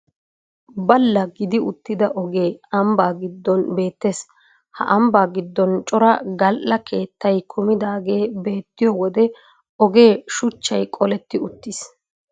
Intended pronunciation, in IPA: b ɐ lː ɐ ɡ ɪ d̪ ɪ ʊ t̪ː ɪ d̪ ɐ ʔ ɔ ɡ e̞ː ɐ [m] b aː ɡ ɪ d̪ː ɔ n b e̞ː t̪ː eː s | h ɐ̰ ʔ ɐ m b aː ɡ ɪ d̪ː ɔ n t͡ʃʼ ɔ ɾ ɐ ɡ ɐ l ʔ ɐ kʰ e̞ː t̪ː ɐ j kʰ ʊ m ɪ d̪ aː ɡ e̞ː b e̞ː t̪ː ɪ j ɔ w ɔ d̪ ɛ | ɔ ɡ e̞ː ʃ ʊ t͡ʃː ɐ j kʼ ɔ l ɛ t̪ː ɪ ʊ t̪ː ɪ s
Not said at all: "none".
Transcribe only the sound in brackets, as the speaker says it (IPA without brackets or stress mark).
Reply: m